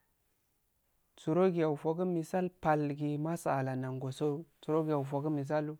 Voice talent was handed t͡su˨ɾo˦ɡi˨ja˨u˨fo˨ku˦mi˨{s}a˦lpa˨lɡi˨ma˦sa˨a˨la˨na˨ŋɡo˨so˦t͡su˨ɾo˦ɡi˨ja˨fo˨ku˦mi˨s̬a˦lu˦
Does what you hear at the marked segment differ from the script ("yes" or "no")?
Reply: no